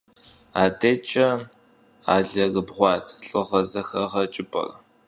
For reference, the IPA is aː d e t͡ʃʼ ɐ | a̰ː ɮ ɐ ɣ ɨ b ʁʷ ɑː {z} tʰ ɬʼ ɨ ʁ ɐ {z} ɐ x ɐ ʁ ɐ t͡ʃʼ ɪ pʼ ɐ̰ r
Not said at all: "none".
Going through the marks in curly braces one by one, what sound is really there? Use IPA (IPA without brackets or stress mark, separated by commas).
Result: none, z